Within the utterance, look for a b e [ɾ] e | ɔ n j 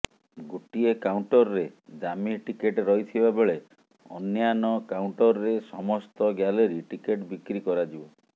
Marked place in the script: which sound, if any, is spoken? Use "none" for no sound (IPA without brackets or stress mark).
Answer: ɭ